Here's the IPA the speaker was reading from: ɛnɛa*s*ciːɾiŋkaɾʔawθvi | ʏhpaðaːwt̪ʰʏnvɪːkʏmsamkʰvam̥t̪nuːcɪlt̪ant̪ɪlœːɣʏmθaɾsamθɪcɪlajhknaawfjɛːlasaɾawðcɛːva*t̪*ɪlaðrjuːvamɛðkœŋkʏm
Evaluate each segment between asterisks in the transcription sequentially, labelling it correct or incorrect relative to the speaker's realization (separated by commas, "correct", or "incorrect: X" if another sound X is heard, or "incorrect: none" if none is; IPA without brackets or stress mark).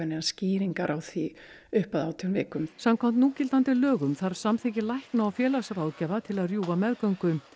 correct, incorrect: t̪ʰ